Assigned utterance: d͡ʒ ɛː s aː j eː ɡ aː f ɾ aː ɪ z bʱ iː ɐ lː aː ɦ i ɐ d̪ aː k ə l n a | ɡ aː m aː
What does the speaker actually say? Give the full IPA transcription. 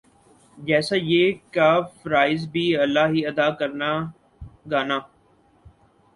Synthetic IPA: d͡ʒ ɛː s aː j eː k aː f ɾ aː ɪ z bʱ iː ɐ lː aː ɦ i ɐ d̪ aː k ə ɾ n a | ɡ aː n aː